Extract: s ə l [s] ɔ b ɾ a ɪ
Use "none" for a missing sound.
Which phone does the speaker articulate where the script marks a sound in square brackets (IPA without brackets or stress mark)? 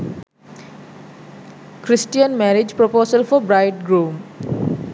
f